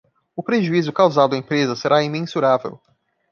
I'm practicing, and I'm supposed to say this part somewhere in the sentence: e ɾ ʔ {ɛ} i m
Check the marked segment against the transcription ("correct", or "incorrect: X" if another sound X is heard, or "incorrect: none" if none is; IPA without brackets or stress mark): incorrect: a